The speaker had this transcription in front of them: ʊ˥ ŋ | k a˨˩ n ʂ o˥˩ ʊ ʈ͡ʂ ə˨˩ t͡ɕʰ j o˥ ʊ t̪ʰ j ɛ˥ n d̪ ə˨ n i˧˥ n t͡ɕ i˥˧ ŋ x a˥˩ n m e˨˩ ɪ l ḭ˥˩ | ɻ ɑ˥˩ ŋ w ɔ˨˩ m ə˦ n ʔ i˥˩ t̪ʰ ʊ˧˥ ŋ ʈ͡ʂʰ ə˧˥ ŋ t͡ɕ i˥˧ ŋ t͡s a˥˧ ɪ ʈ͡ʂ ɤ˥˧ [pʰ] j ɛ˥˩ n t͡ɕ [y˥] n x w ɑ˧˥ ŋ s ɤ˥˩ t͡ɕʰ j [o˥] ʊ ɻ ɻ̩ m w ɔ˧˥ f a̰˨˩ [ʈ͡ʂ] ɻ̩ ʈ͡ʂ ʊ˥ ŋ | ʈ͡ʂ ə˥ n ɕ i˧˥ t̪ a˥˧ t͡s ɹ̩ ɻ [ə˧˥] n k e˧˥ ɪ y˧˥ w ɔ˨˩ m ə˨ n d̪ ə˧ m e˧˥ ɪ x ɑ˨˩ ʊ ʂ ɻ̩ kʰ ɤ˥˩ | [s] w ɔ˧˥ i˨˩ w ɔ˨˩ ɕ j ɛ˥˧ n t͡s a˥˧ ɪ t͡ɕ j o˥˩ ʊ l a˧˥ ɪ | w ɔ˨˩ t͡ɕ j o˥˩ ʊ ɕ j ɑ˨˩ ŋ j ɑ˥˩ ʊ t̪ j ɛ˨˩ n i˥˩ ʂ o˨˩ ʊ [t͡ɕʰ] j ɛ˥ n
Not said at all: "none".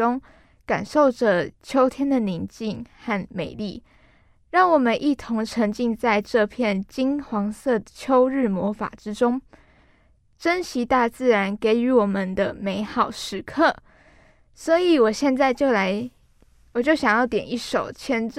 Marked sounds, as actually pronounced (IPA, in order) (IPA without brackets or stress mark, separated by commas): pʰ, i˥, o˥, ʈ͡ʂ, a˧˥, s, t͡ɕʰ